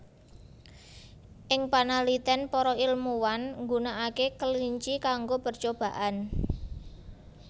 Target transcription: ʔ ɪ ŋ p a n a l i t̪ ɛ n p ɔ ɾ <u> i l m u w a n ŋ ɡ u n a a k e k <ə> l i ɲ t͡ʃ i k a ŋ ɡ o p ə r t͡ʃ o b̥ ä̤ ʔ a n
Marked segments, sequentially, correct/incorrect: incorrect: ɔ, correct

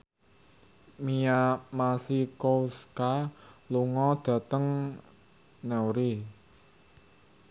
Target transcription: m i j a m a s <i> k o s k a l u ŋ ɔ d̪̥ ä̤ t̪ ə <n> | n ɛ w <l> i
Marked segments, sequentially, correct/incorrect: correct, incorrect: ŋ, incorrect: ɾ

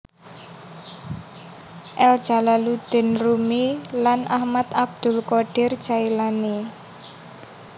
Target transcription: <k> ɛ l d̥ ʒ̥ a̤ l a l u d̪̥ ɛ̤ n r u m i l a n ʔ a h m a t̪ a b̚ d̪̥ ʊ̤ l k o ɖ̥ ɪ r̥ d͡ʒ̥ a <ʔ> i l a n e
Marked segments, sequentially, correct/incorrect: incorrect: ʔ, incorrect: none

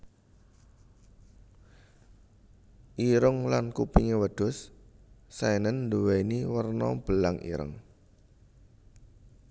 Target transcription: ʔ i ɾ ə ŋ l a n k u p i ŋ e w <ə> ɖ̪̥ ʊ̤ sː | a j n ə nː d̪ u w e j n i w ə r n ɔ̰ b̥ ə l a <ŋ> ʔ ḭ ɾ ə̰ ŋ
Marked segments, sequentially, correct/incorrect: correct, correct

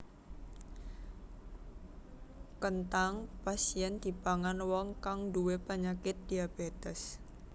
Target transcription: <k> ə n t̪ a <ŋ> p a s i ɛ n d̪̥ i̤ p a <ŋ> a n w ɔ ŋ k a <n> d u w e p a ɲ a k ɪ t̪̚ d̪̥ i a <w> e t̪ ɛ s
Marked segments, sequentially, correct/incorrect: correct, correct, correct, incorrect: ŋ, incorrect: b

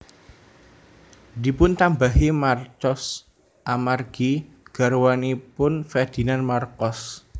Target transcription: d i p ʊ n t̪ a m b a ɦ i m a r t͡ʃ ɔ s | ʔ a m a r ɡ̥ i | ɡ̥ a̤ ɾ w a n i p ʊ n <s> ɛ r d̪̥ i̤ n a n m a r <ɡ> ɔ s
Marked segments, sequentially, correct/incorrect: incorrect: f, incorrect: k

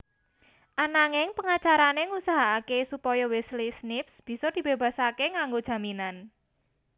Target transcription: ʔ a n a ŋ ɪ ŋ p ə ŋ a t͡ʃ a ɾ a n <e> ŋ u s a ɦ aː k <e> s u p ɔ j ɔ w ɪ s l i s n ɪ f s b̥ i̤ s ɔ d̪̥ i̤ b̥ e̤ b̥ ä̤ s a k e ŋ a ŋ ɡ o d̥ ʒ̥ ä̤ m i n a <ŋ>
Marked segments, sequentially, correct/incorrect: correct, correct, incorrect: n

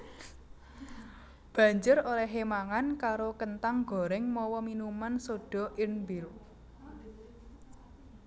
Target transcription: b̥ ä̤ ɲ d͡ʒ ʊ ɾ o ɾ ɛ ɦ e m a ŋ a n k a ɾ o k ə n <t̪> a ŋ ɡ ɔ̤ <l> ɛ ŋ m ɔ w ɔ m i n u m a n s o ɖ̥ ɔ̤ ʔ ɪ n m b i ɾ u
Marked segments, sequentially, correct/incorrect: correct, incorrect: ɾ

